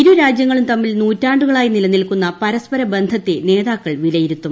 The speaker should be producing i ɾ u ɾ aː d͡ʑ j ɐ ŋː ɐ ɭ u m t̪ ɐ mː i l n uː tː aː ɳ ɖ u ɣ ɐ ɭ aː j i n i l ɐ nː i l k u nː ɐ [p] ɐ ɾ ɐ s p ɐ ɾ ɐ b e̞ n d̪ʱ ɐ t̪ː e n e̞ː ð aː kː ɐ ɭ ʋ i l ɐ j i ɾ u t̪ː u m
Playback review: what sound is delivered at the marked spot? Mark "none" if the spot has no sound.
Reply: p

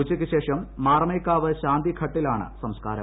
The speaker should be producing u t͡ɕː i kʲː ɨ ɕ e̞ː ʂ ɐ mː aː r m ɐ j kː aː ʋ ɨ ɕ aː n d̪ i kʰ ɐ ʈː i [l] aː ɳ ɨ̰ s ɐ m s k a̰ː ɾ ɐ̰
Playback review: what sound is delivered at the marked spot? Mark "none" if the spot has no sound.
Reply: l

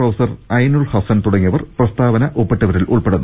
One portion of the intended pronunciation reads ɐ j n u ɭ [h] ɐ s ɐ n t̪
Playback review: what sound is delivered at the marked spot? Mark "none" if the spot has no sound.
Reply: h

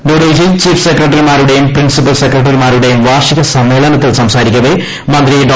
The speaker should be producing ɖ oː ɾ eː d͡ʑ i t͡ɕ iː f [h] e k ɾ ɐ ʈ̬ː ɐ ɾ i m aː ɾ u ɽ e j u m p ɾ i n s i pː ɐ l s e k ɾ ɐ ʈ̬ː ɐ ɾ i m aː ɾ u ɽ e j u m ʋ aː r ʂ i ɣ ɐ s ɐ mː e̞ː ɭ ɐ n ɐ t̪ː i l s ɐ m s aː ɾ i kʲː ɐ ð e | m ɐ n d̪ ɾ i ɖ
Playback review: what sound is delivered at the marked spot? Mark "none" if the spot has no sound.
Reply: s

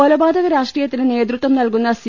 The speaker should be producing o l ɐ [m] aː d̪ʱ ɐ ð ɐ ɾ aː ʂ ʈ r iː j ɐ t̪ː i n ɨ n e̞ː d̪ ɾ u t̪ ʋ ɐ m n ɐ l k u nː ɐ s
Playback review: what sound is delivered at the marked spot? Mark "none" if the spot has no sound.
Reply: b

